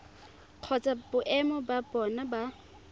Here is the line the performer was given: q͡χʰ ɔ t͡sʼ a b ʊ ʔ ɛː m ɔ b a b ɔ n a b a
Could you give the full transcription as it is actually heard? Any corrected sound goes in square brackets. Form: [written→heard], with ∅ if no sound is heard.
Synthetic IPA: q͡χʰ ɔ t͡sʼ a b ʊ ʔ [ɛː→ɛ] m ɔ b a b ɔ n a b a